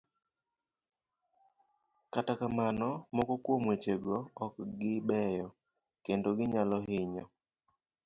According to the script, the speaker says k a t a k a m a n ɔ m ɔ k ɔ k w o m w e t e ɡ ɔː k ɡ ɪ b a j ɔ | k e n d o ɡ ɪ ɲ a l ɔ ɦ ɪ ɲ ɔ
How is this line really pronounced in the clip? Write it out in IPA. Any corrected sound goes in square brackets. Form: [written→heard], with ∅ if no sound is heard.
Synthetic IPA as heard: k a t a k a m a n ɔ m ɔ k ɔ k w o m w e [t→t͡ʃ] e ɡ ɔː k ɡ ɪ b [a→ɛ] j ɔ | k e n d o ɡ ɪ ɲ a l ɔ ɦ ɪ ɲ ɔ